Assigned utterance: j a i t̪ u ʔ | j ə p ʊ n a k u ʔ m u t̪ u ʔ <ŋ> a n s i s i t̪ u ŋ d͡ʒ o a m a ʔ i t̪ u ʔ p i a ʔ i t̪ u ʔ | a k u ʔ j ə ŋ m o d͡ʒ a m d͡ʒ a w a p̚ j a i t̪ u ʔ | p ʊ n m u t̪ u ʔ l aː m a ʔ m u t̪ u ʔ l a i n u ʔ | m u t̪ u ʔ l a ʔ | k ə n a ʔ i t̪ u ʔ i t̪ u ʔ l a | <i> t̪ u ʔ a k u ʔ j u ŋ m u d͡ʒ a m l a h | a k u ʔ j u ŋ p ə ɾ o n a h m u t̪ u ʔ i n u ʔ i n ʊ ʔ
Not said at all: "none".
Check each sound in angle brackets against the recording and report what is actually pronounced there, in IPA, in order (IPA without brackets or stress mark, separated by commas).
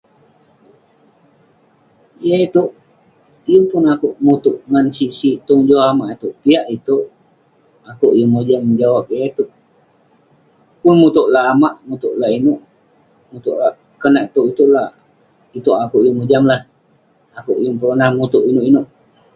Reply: ŋ, i